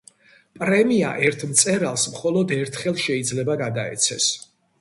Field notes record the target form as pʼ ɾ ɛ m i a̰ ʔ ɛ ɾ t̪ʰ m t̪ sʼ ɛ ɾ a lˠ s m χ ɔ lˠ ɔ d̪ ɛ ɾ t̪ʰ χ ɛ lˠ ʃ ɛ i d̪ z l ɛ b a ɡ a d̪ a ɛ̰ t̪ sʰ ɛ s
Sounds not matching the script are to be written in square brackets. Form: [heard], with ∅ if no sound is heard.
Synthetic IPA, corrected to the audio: pʼ ɾ ɛ m i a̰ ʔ ɛ ɾ t̪ʰ m t̪ sʼ ɛ ɾ a lˠ s m χ ɔ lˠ ɔ d̪ ɛ ɾ t̪ʰ χ ɛ lˠ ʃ ɛ i d̪ z l ɛ b a ɡ a d̪ a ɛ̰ t̪ sʰ ɛ s